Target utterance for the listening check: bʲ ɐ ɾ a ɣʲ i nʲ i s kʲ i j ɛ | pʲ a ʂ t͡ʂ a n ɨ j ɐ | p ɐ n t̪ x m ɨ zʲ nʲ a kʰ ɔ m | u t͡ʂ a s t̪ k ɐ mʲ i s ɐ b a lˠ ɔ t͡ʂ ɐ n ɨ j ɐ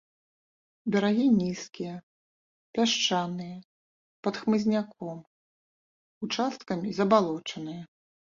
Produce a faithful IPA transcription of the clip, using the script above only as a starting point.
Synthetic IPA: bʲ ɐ ɾ a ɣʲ i nʲ i s kʲ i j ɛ | pʲ a ʂ t͡ʂ a n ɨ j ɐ | p ɐ t̪ x m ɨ zʲ nʲ a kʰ ɔ m | u t͡ʂ a s t̪ k ɐ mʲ i z ɐ b a lˠ ɔ t͡ʂ ɐ n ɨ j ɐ